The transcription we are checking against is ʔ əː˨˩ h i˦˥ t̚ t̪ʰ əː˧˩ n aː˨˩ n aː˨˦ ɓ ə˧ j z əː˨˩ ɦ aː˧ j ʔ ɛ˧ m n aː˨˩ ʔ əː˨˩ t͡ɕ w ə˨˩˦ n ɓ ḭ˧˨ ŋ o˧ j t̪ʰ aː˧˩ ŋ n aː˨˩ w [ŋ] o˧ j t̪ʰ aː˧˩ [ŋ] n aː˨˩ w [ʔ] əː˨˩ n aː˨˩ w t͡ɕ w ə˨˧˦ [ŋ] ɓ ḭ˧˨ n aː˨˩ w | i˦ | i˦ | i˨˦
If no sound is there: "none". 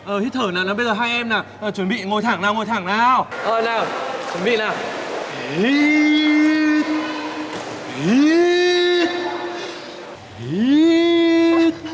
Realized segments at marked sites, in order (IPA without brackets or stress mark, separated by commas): ŋ, ŋ, ʔ, n